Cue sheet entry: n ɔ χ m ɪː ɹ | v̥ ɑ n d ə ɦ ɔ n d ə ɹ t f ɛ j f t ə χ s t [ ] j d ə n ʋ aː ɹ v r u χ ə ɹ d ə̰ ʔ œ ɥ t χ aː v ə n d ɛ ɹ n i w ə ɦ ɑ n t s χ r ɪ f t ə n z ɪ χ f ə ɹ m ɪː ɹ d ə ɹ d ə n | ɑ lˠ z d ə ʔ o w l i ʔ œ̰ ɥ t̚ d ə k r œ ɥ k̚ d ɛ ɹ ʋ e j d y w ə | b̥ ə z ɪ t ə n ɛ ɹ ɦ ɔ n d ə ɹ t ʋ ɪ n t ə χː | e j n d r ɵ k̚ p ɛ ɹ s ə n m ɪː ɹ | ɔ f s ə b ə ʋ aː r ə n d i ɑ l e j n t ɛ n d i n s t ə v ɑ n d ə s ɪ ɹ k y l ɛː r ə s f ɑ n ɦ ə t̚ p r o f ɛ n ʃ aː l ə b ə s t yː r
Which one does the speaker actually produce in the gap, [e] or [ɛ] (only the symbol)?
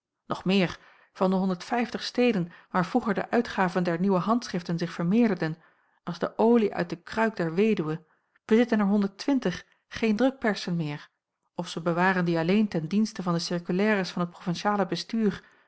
e